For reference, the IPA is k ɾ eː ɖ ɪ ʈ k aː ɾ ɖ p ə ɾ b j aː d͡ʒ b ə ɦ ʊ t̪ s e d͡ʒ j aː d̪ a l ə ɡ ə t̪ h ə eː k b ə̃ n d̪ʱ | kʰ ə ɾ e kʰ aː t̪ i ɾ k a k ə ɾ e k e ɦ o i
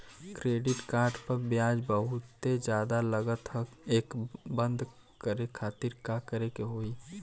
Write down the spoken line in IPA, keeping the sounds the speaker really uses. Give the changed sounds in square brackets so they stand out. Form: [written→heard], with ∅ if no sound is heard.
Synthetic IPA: k ɾ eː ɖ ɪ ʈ k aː ɾ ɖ p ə ɾ b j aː d͡ʒ b ə ɦ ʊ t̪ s e d͡ʒ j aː d̪ a l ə ɡ ə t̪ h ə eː k b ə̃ n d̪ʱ | [kʰ→k] ə ɾ e kʰ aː t̪ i ɾ k a k ə ɾ e k e ɦ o i